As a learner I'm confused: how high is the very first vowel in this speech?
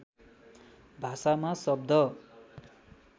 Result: low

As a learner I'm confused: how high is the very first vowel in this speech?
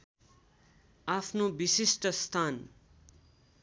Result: low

